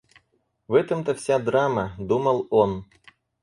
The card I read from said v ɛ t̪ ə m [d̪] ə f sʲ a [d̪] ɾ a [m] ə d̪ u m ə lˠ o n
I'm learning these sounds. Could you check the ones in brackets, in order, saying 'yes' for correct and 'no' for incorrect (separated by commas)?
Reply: no, yes, yes